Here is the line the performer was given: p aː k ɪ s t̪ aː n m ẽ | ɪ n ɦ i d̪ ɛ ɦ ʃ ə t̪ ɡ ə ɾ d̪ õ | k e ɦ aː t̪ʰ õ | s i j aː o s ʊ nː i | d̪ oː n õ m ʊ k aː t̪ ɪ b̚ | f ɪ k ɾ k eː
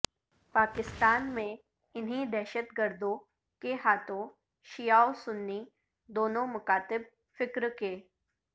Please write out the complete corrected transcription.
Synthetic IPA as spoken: p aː k ɪ s t̪ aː n m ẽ | ɪ n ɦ i d̪ ɛ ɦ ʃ ə t̪ ɡ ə ɾ d̪ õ | k e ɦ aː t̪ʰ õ | ʃ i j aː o s ʊ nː i | d̪ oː n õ m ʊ k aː t̪ ɪ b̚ | f ɪ k ɾ k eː